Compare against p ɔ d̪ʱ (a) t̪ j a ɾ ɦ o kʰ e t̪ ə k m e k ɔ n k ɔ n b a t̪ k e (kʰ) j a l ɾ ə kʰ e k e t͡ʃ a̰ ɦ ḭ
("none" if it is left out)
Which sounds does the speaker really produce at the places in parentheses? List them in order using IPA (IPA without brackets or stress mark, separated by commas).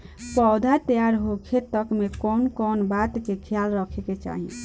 a, kʰ